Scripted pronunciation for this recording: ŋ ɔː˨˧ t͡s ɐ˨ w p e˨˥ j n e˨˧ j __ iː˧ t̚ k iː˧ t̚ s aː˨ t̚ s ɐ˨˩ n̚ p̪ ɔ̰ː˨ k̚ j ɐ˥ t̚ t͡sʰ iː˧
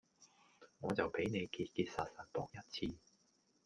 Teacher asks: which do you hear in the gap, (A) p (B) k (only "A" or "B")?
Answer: B